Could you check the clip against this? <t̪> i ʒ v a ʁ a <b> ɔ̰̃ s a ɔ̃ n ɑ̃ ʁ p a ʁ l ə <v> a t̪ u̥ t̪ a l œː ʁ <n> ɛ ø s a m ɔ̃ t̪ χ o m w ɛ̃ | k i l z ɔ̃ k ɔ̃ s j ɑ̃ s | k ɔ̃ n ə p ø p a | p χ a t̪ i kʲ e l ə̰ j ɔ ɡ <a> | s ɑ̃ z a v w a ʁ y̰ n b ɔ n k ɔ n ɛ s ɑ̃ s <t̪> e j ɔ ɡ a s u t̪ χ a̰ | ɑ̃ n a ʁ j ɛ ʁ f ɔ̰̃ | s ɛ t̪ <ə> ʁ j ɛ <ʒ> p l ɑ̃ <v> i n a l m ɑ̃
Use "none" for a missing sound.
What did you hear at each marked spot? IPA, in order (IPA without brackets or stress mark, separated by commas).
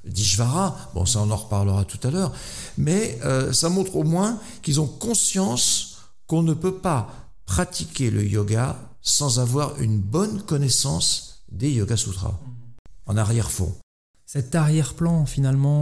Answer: d̪, b, ʁ, m, a, d̪, a, ʁ, f